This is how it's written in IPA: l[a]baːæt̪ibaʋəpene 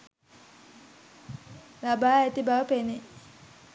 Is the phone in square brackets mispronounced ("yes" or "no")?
no